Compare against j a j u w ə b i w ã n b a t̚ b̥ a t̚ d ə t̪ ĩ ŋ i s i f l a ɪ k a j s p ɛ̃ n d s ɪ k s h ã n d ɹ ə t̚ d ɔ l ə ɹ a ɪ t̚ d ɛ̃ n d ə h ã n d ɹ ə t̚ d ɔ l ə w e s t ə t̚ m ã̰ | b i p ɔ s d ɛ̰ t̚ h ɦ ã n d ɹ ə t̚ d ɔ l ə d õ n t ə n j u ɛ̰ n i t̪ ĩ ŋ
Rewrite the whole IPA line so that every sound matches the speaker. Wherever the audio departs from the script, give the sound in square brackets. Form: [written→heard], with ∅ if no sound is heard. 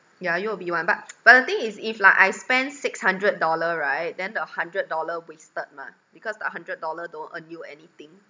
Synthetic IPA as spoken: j a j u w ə b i w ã n b a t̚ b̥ a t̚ d ə t̪ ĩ ŋ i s i f l a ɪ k a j s p ɛ̃ n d s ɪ k s h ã n d ɹ ə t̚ d ɔ l ə ɹ a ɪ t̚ d ɛ̃ n d ə h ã n d ɹ ə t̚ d ɔ l ə w e s t ə t̚ m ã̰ | b i [p→k] ɔ s d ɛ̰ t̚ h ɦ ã n d ɹ ə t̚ d ɔ l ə d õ n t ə n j u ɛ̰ n i t̪ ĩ ŋ